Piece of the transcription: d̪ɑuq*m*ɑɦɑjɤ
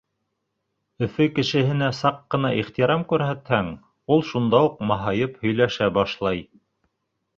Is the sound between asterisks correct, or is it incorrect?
correct